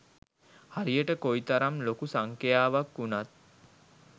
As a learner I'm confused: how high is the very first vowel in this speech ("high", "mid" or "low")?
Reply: low